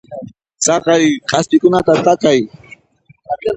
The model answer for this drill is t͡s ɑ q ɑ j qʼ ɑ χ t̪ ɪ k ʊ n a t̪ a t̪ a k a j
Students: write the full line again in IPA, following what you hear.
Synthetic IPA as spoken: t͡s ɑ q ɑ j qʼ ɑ s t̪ ɪ k ʊ n a t̪ a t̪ a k a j